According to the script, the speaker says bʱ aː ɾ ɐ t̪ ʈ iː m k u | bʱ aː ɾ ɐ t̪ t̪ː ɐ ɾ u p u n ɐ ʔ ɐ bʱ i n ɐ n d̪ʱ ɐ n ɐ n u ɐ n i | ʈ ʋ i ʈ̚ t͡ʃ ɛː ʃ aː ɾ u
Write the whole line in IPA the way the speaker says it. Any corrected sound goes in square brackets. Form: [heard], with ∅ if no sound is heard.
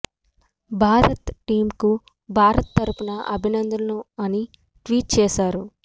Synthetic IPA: bʱ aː ɾ ɐ t̪ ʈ iː m k u | bʱ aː ɾ ɐ t̪ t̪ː ɐ ɾ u p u n ɐ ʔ ɐ bʱ i n ɐ n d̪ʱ ɐ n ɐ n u ɐ n i | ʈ ʋ [iː] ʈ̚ t͡ʃ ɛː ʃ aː ɾ u